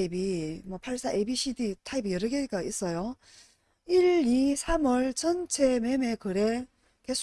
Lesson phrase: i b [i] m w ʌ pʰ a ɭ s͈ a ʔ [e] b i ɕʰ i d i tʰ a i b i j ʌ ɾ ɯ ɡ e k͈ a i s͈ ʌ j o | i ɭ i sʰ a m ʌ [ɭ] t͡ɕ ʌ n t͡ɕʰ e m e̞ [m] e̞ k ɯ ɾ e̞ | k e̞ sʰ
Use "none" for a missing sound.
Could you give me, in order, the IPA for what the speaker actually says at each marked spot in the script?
i, e, ɭ, m

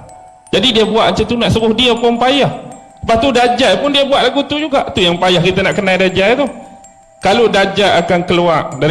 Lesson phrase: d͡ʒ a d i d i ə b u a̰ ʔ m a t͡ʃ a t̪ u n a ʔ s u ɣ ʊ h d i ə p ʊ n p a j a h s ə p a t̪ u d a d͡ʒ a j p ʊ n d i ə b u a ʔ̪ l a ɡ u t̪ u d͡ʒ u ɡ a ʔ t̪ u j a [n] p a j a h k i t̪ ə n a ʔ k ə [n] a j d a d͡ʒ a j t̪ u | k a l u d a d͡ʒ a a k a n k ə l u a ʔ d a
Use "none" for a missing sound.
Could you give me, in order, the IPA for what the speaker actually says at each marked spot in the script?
ŋ, n

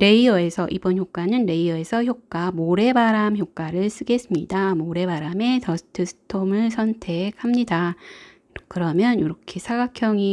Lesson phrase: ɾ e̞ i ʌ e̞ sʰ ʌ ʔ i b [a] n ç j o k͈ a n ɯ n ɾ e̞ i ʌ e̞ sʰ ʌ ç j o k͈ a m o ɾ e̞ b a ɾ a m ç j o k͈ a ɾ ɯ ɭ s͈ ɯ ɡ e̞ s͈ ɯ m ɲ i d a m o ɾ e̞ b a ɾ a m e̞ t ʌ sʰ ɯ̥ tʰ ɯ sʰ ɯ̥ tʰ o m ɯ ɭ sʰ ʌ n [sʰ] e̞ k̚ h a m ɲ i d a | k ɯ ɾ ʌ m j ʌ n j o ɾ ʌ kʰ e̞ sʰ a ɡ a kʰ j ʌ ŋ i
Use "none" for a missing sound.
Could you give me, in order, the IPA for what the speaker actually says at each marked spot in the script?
ʌ, tʰ

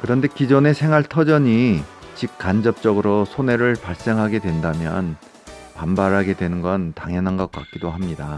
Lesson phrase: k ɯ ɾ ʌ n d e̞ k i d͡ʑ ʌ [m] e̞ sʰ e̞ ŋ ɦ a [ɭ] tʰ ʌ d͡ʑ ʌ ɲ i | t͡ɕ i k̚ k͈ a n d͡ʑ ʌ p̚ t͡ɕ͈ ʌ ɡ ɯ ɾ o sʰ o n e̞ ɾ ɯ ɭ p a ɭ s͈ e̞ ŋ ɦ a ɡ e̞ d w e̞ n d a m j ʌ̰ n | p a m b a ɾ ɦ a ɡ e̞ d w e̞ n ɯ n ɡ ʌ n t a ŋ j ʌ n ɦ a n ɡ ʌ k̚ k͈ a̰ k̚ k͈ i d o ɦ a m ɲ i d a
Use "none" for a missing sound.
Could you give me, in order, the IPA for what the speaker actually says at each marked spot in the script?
n, ɭ

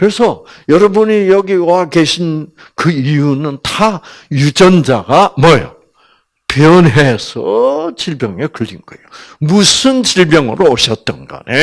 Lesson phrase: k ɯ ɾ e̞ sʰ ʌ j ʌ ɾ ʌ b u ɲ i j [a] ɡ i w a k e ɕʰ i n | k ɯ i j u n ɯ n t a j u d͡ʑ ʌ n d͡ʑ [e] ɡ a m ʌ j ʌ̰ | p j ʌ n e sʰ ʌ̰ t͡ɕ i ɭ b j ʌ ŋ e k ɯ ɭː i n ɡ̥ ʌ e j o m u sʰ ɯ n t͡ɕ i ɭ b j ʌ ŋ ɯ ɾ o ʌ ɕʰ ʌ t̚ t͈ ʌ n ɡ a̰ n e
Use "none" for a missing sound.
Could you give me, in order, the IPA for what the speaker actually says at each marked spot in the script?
ʌ, a

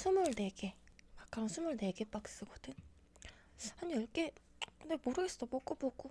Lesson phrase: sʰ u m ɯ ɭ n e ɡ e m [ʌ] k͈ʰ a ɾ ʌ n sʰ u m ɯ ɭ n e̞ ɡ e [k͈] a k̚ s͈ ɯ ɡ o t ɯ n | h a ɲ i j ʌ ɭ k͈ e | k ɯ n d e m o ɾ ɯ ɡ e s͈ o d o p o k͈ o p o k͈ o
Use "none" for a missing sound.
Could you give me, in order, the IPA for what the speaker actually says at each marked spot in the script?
a, p͈

